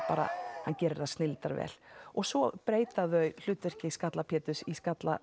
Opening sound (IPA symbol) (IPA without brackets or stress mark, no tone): p